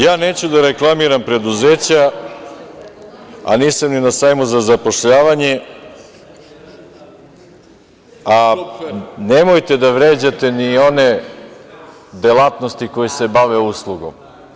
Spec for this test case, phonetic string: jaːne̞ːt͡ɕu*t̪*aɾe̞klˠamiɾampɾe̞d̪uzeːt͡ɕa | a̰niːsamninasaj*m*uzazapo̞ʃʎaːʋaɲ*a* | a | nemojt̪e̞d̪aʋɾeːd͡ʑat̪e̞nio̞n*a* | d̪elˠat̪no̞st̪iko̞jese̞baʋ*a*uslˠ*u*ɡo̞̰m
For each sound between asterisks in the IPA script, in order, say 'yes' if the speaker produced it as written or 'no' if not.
no, yes, no, no, no, yes

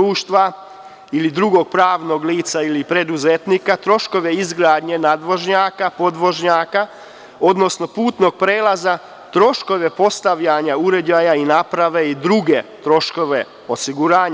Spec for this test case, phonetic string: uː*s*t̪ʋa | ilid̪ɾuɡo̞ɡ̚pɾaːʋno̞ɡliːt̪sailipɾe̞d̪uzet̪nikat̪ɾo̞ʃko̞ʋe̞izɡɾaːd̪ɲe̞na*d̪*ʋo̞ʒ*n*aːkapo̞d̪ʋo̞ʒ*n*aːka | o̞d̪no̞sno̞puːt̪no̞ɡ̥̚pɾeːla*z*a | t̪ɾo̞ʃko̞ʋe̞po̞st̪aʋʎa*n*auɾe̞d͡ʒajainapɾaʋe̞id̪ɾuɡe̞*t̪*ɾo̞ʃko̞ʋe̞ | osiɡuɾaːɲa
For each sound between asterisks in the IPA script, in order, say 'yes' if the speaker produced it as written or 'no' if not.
no, yes, no, no, yes, no, yes

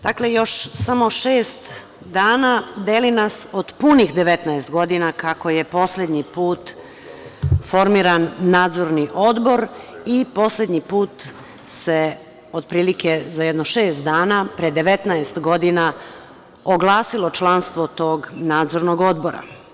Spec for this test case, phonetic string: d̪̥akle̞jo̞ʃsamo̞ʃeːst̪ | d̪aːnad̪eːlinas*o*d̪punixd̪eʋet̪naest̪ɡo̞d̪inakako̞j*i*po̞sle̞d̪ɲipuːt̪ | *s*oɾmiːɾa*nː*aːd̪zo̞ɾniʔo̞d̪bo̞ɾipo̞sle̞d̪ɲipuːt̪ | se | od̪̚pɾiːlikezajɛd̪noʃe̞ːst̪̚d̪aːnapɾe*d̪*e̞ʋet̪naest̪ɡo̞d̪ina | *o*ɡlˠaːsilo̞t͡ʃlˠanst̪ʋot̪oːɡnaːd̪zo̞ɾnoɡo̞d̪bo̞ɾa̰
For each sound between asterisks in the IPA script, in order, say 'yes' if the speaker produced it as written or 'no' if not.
yes, no, no, yes, yes, yes

